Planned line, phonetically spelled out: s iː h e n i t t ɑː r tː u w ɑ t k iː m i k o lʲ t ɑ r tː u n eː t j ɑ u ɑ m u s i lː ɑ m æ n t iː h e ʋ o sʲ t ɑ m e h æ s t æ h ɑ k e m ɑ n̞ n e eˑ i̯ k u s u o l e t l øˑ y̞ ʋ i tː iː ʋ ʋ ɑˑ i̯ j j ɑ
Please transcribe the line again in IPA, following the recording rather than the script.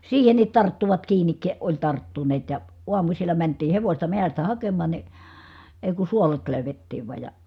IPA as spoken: s iː h e n i t t ɑ r tː u ʋ ɑ t k iː n i k o lʲ t ɑ r tː u n eː t j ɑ u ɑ m u s i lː ɑ m æ n t iː h e ʋ o sʲ t ɑ m e h æ s t æ h ɑ k e m ɑ n̞ n i eˑ i̯ k u s u o l e t l øˑ y̞ ʋ e tː iː ʋ ʋ ɑˑ i̯ j j ɑ

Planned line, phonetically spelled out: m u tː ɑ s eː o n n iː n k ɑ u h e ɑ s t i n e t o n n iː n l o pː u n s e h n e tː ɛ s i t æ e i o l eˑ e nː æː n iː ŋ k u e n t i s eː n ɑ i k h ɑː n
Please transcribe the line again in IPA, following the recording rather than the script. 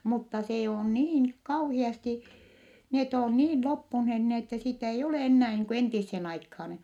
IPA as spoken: m u tː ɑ s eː o n n iː n k ɑ u h i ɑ s t i n e t o n n iː n l o pː u n h e h n e tː ɛ s i t æ e i o l eˑ e nː æː n iː ŋ k u e n t i sː eː n ɑ i k h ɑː n

